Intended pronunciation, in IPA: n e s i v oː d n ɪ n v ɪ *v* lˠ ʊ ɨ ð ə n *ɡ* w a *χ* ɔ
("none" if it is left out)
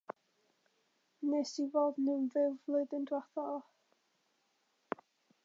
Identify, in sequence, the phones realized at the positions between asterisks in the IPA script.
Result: v, d, θ

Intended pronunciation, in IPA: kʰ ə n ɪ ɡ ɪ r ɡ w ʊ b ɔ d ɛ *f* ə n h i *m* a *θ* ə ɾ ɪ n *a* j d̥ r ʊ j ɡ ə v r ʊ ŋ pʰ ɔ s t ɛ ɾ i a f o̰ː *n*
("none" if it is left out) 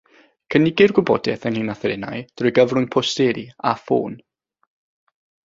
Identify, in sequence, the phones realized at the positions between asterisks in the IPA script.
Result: θ, n, θ, a, n

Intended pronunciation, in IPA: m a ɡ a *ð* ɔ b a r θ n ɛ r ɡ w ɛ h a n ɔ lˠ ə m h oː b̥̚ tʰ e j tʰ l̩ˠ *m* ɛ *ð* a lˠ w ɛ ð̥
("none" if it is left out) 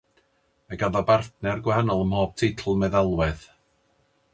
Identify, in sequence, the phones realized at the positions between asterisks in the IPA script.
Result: ð, m, ð

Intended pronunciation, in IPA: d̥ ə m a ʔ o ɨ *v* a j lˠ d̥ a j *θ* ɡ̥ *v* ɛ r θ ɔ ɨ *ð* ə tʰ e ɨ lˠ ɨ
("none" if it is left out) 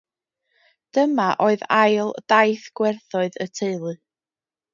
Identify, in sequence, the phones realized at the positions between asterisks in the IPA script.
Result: ð, θ, w, ð

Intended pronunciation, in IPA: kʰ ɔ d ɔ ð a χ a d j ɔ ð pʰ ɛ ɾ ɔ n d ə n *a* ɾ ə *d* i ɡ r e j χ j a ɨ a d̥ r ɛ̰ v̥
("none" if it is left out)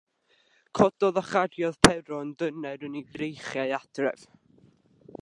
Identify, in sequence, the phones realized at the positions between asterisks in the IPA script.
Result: ɛ, n

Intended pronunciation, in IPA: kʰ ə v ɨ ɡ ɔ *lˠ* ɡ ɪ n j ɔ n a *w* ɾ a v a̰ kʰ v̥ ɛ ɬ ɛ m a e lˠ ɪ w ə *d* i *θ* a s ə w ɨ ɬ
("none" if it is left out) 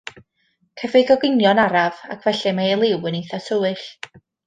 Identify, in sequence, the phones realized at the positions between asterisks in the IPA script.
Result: none, none, n, θ

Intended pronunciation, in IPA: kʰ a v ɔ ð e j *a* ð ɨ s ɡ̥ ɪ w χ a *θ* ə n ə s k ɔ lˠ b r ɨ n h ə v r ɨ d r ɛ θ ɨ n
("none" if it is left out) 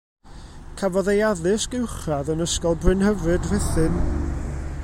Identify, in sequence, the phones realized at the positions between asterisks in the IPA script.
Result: a, ð

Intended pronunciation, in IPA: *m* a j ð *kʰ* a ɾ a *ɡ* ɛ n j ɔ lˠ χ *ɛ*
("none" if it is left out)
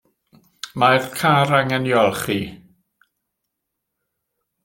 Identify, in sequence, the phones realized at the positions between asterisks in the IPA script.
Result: m, kʰ, ŋ, i

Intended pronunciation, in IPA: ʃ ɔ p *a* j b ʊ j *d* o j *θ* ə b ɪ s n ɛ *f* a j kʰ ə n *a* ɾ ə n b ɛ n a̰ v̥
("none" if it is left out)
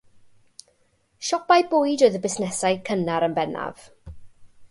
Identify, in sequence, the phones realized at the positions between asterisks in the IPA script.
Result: a, d, ð, s, a

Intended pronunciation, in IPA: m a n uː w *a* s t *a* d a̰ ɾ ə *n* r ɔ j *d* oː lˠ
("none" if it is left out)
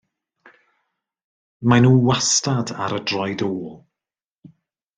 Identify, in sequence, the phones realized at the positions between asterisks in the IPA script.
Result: a, a, d, d

